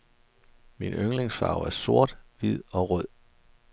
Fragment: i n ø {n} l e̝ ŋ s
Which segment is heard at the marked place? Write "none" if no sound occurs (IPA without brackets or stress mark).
ŋ